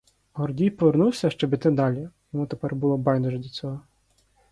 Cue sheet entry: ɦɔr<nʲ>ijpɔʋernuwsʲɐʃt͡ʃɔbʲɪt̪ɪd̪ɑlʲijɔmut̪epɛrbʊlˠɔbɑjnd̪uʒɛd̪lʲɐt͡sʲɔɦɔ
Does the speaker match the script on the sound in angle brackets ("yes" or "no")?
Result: no